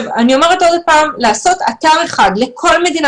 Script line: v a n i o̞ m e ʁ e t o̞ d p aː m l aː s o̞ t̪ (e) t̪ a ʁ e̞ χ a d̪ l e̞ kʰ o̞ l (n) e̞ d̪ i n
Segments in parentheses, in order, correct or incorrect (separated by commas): incorrect, incorrect